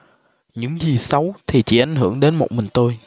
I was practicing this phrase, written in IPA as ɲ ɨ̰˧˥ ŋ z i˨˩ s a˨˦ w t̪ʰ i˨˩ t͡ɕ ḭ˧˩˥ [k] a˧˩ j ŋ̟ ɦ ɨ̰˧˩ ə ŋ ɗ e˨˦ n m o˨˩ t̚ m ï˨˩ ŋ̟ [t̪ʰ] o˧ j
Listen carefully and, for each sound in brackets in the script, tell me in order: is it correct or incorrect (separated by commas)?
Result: incorrect, incorrect